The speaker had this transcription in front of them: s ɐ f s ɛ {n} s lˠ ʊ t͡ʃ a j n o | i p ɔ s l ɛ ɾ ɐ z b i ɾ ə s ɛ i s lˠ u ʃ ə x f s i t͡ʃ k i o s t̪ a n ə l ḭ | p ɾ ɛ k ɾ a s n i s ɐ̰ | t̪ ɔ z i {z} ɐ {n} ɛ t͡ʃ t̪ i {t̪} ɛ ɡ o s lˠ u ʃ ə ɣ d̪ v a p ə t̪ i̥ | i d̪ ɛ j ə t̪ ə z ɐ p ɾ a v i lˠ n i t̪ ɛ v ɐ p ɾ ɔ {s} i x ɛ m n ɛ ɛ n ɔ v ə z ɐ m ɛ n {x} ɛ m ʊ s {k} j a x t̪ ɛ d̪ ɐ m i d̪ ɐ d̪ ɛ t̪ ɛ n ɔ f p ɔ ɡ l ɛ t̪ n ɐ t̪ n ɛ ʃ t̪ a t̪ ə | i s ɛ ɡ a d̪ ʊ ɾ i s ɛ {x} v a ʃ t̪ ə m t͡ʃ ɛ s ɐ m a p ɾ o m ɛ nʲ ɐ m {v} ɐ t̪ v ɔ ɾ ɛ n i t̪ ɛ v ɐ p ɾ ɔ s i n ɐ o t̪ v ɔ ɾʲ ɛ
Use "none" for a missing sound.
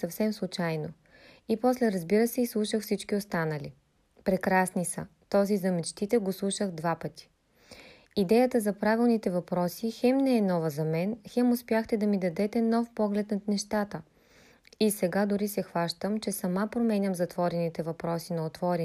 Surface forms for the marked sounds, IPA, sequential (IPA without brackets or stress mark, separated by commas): m, z, m, t̪, s, x, p, x, z